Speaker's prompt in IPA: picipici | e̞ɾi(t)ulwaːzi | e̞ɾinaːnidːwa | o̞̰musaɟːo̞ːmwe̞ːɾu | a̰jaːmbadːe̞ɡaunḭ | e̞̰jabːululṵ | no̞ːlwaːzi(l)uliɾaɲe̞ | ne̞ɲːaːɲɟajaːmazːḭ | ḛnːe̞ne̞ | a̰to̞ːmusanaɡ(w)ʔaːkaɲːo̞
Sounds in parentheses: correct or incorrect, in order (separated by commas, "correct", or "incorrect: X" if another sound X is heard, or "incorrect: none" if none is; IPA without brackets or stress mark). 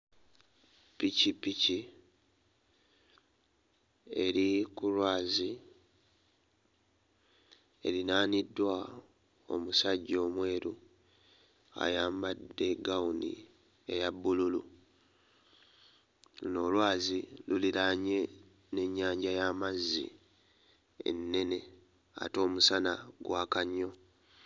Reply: incorrect: k, correct, correct